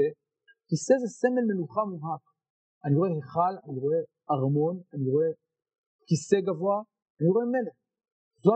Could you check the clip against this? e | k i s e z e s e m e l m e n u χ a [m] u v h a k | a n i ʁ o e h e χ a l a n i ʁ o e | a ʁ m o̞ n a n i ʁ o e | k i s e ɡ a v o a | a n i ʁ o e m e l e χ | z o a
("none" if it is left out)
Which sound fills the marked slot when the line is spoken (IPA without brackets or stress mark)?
m